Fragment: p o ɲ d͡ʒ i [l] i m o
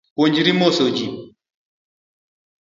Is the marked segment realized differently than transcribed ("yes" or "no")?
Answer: yes